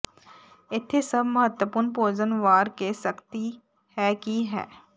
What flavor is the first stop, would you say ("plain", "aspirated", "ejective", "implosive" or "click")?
aspirated